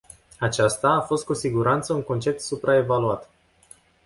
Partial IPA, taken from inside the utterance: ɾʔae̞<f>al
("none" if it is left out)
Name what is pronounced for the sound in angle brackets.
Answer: v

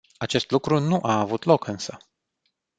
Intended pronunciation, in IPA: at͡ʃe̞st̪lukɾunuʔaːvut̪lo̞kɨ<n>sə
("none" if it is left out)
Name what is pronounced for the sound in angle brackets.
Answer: n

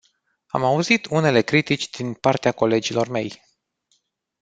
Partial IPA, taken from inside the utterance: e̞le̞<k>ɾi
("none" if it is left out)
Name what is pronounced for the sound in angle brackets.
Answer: k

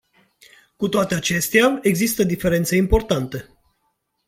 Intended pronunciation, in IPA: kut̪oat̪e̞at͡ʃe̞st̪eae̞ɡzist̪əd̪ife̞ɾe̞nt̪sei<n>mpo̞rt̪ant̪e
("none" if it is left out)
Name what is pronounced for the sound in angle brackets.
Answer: none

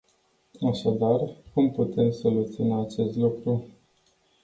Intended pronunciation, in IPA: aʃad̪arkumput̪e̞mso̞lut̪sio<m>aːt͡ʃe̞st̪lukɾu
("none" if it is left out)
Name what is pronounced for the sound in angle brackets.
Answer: n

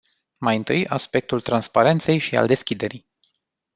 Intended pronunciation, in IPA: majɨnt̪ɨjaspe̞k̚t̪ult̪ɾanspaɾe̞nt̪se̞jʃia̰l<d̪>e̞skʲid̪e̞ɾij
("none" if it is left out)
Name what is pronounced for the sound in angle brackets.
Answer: d̪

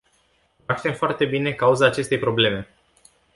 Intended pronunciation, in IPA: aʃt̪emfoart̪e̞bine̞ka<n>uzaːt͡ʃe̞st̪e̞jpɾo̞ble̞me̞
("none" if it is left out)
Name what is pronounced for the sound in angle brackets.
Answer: none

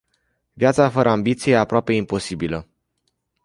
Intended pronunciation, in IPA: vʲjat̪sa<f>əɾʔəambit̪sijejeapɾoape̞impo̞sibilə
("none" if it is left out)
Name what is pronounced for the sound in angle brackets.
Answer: f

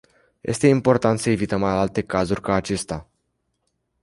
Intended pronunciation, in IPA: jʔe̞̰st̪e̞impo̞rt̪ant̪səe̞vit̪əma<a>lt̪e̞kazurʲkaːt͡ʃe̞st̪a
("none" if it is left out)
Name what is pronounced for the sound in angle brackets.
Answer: a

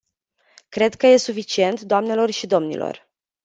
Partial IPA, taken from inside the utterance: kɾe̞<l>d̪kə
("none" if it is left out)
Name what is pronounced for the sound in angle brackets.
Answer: none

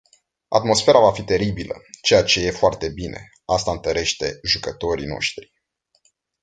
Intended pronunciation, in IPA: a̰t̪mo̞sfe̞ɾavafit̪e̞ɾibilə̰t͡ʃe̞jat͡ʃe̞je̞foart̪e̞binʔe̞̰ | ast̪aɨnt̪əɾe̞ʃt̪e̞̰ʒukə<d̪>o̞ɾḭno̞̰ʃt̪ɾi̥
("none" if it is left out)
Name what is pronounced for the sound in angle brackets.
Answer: t̪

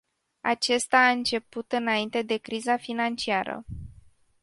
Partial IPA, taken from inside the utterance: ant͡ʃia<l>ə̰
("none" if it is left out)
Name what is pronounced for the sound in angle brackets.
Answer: ɾ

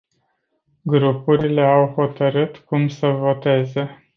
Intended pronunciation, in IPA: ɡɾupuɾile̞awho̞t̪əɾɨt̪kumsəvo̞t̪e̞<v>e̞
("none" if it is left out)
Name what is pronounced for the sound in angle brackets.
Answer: z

